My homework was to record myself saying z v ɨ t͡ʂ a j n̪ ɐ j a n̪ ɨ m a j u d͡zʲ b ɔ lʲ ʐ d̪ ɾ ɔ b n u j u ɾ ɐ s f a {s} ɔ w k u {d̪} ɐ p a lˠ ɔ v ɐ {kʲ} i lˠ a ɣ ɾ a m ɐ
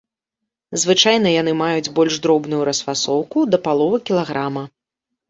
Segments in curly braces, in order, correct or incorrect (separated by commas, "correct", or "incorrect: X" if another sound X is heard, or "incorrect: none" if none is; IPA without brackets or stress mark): correct, correct, correct